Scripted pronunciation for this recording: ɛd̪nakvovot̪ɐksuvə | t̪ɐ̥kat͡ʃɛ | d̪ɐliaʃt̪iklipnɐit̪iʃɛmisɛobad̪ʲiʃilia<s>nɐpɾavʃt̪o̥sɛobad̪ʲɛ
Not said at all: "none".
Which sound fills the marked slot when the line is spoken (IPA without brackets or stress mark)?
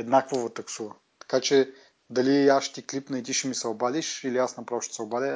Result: s